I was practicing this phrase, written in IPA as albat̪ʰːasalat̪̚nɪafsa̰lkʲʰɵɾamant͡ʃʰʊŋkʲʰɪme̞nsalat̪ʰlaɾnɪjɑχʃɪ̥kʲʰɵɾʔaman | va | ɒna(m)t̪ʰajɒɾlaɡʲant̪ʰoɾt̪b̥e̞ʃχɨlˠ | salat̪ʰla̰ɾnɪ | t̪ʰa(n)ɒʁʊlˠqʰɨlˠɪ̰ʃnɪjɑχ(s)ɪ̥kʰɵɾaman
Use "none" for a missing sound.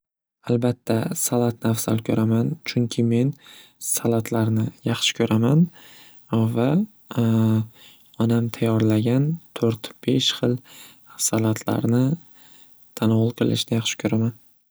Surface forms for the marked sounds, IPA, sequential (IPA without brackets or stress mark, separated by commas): m, n, ʃ